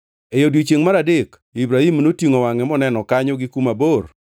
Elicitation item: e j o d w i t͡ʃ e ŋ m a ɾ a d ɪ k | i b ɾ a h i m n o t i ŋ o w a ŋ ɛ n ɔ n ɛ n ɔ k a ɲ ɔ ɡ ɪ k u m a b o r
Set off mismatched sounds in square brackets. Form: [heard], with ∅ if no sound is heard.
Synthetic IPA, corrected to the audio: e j o d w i t͡ʃ e ŋ m a ɾ a d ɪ k | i b ɾ a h i m n o t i ŋ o w a ŋ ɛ [m] ɔ n ɛ n ɔ k a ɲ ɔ ɡ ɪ k u m a b o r